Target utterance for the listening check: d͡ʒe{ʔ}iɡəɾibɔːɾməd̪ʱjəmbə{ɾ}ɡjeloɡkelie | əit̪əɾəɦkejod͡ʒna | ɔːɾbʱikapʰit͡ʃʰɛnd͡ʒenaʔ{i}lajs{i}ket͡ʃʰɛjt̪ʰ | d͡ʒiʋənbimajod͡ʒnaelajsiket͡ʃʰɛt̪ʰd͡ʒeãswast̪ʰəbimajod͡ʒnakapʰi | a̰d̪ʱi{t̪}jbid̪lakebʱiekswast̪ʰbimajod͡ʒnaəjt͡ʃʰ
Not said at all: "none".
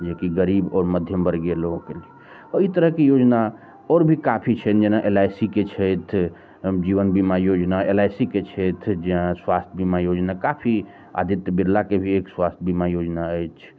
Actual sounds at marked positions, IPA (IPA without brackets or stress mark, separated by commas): k, ɾ, e, i, t̪